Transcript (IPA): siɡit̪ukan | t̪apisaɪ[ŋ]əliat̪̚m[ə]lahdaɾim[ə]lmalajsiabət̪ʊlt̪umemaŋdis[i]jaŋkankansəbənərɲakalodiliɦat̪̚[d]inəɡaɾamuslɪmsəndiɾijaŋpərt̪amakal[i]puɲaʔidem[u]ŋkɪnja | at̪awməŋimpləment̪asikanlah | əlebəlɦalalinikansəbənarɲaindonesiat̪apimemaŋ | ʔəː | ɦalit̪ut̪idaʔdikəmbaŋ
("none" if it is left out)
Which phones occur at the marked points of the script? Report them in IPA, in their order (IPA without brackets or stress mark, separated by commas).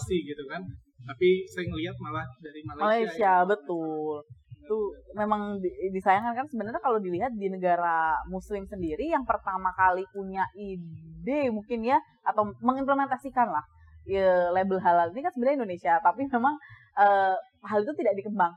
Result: ŋ, a, a, a, d, i, u